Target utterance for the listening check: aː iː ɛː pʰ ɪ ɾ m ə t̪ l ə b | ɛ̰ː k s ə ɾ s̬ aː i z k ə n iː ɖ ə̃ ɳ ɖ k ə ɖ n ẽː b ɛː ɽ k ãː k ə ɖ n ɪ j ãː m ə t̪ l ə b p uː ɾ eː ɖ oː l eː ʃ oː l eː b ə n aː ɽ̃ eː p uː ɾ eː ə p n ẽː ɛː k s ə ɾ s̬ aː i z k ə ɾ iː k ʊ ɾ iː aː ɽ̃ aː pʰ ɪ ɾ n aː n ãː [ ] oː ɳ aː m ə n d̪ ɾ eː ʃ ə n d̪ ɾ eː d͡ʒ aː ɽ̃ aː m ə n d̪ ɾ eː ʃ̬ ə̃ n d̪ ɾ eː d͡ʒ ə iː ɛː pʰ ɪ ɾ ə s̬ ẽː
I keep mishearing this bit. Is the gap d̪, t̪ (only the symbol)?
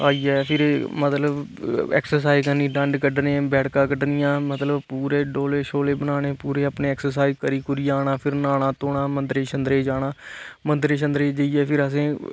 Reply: t̪